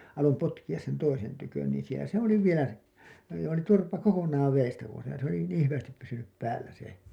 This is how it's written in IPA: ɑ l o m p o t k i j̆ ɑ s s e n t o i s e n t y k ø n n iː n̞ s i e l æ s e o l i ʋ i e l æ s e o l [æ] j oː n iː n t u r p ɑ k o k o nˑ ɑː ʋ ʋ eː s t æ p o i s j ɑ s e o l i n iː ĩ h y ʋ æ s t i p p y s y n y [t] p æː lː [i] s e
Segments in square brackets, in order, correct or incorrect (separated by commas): incorrect, incorrect, incorrect